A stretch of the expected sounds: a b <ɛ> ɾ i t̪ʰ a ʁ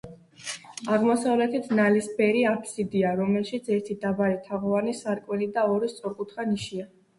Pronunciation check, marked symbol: incorrect: a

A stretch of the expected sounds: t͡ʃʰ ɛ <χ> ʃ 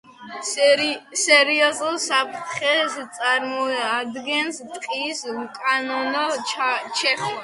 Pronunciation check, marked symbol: correct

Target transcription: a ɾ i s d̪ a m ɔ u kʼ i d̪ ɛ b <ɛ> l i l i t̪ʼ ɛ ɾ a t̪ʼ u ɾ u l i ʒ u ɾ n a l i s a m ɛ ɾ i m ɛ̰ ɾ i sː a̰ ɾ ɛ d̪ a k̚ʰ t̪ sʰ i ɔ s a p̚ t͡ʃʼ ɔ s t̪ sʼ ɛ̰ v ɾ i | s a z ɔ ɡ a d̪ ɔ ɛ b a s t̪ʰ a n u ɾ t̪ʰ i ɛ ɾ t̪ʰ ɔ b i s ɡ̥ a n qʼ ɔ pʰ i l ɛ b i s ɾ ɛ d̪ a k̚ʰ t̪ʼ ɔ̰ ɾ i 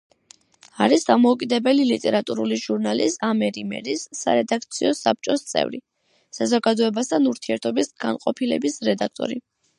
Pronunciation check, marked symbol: correct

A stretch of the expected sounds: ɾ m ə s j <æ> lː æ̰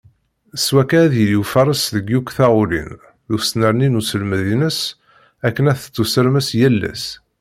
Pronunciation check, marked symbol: correct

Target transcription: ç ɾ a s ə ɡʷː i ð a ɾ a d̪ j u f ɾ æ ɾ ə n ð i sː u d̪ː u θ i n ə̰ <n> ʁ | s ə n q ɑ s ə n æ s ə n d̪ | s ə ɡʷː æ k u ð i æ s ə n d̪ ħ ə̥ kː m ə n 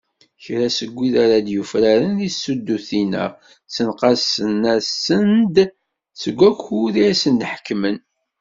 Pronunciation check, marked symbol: incorrect: none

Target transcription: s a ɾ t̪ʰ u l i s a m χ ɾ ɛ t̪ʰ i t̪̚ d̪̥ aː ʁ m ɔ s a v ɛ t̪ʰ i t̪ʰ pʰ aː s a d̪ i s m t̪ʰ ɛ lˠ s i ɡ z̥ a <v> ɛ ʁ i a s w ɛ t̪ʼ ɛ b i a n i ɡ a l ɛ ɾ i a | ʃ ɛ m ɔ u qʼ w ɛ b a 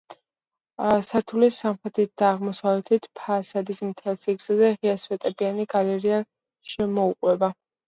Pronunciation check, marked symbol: incorrect: z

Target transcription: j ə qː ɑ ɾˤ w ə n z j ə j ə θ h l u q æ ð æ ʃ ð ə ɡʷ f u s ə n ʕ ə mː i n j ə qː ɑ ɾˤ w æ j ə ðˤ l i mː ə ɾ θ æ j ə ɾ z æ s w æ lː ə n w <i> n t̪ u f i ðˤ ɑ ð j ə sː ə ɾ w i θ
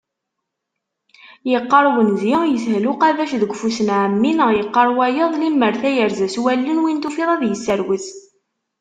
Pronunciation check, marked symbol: correct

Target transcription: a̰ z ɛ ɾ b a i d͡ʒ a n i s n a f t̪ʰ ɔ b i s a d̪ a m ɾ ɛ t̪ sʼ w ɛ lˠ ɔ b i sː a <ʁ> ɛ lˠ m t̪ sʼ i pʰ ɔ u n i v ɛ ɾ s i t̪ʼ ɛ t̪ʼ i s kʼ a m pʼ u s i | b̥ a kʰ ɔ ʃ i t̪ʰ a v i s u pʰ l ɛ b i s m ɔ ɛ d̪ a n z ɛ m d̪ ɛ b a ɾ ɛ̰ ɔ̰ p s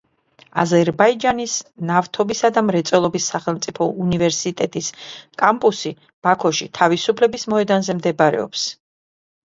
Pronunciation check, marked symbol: incorrect: χ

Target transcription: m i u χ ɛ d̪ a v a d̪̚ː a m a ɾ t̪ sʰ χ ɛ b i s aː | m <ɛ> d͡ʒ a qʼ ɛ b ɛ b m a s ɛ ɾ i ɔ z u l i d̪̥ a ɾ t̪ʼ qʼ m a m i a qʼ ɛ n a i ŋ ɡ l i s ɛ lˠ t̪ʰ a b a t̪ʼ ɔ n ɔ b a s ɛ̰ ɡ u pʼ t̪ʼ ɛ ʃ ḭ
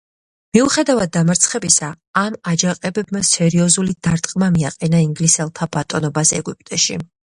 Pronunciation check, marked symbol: incorrect: a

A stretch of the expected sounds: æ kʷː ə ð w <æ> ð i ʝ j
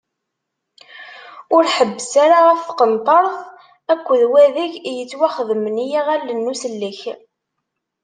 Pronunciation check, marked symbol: correct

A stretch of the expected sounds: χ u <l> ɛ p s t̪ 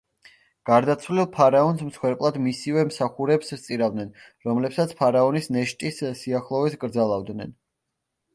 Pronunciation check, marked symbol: incorrect: ɾ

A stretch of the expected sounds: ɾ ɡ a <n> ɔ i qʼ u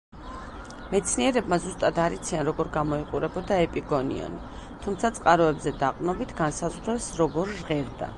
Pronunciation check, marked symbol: incorrect: m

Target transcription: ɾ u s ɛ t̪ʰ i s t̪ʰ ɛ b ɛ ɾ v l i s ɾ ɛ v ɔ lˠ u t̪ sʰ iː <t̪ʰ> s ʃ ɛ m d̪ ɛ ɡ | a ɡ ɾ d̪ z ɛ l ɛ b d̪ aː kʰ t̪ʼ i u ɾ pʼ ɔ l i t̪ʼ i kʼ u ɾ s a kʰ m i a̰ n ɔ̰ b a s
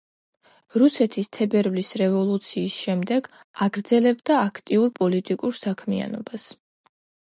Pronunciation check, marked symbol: incorrect: none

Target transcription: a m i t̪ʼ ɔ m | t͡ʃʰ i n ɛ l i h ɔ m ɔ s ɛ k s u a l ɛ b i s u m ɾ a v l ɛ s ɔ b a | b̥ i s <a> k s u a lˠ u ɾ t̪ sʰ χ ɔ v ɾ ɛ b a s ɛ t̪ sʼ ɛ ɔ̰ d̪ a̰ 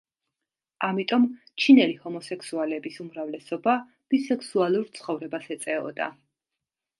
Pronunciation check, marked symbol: incorrect: ɛ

